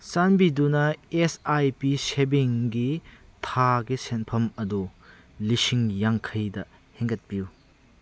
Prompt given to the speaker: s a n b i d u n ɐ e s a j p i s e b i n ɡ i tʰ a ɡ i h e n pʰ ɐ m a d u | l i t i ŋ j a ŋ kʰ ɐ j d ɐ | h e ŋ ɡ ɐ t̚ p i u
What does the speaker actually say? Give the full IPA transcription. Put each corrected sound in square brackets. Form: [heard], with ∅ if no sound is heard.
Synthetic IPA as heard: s a n b i d u n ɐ e s a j p i s e b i [ŋ] ɡ i tʰ a ɡ i [s] e n pʰ ɐ m [ɐ] d u | l i [s] i ŋ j a ŋ kʰ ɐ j d ɐ | h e ŋ ɡ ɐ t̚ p i u